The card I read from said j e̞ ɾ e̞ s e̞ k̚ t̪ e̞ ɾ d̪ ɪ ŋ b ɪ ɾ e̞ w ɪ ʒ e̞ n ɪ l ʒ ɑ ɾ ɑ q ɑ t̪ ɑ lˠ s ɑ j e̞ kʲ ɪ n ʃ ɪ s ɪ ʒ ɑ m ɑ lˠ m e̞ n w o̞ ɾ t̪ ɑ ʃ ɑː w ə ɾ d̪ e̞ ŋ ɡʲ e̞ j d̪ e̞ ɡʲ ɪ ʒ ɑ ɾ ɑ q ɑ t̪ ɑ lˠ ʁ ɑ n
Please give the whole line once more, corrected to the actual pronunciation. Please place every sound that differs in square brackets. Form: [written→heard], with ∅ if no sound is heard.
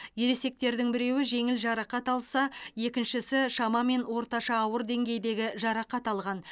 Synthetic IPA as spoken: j e̞ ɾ e̞ s e̞ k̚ t̪ e̞ ɾ d̪ ɪ ŋ b ɪ ɾ e̞ w ɪ ʒ e̞ [n→ŋ] ɪ l ʒ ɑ ɾ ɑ q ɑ t̪ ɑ lˠ s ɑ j e̞ kʲ ɪ n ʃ ɪ s ɪ [ʒ→ʃ] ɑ m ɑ [lˠ→∅] m e̞ n w o̞ ɾ t̪ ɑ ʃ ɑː w ə ɾ d̪ e̞ ŋ ɡʲ e̞ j d̪ e̞ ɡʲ ɪ ʒ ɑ ɾ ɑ q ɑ t̪ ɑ lˠ ʁ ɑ n